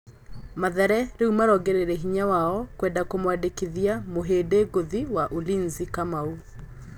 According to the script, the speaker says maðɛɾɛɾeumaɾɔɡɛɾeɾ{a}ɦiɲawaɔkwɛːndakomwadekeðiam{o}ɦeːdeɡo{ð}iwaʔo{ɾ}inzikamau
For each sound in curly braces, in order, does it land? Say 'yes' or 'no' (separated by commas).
no, yes, yes, no